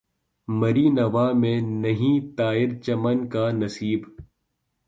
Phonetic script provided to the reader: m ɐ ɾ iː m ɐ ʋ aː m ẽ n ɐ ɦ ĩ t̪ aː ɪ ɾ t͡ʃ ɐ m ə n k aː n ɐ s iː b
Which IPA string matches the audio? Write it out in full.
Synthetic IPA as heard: m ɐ ɾ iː n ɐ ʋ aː m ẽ n ɐ ɦ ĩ t̪ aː ɪ ɾ t͡ʃ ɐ m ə n k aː n ɐ s iː b

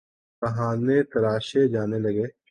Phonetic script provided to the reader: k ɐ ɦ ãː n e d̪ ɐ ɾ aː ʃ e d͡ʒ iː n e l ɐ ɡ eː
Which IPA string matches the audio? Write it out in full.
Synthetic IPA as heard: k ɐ ɦ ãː n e t̪ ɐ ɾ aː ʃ e d͡ʒ aː n e l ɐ ɡ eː

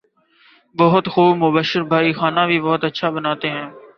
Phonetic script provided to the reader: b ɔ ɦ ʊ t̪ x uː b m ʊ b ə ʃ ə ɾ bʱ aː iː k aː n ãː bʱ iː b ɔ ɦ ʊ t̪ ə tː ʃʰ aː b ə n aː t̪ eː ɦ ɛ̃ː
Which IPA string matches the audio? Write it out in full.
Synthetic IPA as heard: b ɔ ɦ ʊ t̪ x uː b m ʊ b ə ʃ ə ɾ bʱ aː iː x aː n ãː bʱ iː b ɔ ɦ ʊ t̪ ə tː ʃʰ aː b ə n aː t̪ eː ɦ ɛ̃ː

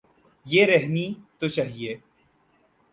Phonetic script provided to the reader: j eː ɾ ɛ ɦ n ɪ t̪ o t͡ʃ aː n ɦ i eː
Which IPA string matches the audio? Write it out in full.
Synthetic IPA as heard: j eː ɾ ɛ ɦ n i t̪ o t͡ʃ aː ɦ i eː

